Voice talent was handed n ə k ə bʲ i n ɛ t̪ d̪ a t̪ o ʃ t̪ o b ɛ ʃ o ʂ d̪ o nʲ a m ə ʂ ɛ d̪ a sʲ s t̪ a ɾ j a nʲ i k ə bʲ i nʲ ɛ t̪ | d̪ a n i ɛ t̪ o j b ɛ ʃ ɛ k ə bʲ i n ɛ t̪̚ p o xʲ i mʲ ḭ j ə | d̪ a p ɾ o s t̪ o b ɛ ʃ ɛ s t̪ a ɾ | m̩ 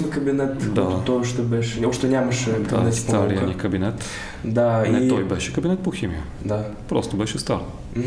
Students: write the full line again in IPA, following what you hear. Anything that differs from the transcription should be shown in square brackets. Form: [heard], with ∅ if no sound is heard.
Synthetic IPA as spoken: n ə k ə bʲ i n ɛ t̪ d̪ a t̪ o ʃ t̪ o b ɛ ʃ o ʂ [t̪] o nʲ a m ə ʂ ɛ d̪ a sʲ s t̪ a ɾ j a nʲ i k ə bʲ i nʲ ɛ t̪ | d̪ a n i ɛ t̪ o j b ɛ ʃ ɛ k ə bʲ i n ɛ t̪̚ p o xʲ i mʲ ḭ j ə | d̪ a p ɾ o s t̪ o b ɛ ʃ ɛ s t̪ a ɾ | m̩